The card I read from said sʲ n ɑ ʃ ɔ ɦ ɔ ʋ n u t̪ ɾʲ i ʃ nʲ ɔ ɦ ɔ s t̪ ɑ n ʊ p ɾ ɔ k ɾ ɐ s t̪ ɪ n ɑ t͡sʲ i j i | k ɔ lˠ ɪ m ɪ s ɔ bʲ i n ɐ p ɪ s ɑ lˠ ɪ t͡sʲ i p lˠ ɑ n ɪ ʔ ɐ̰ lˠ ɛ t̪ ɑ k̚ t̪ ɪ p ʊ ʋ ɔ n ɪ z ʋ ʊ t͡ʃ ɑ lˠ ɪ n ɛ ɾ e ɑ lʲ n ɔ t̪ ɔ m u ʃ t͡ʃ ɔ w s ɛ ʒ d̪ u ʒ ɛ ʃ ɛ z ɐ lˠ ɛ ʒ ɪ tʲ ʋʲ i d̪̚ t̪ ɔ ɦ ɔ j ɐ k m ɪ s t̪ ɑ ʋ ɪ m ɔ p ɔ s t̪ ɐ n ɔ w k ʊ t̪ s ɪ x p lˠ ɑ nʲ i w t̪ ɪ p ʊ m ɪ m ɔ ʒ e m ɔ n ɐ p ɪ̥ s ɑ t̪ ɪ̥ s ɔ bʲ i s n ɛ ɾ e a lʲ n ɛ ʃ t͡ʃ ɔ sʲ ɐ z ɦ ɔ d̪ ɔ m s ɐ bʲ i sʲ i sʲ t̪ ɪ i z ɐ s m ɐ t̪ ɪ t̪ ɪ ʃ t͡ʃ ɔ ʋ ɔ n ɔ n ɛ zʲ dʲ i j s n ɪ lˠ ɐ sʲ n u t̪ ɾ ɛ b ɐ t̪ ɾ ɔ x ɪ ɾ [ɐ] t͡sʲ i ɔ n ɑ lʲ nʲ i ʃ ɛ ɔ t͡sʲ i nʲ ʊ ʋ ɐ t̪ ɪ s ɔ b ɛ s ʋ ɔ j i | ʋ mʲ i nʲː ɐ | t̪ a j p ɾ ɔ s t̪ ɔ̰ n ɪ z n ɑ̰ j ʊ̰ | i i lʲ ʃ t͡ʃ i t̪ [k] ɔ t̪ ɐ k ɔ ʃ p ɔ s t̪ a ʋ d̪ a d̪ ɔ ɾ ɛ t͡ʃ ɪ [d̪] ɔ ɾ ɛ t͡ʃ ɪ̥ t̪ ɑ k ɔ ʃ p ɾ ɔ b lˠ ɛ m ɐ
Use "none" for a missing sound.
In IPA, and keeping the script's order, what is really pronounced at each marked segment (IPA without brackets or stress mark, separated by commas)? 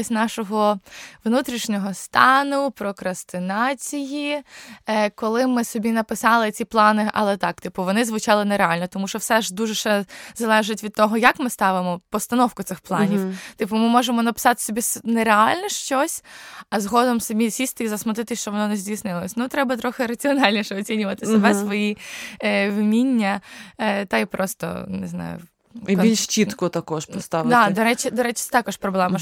ɐ, k, d̪